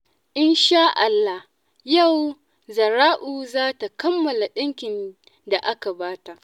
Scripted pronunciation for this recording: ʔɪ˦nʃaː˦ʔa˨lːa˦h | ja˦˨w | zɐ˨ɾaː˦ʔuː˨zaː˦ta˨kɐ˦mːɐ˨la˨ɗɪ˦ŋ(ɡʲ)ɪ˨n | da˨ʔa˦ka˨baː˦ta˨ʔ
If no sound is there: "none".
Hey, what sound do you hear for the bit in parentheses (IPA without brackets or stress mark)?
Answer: kʲ